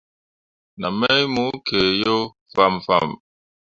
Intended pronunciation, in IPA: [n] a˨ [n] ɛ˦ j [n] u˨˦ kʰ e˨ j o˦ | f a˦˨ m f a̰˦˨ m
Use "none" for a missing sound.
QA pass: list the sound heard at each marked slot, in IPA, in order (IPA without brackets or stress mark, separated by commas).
n, m, m